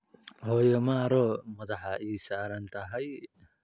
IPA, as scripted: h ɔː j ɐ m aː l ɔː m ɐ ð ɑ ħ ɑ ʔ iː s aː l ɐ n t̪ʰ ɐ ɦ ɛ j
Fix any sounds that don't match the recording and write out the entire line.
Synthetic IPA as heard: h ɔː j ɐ m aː ɾ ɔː m ɐ ð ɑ ħ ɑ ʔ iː s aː ɾ ɐ n t̪ʰ ɐ ɦ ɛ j